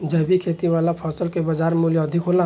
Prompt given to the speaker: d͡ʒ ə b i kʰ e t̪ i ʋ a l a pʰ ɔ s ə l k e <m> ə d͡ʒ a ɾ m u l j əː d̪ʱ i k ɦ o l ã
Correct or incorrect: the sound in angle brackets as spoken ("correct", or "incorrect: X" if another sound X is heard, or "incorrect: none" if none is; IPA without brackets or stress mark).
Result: incorrect: b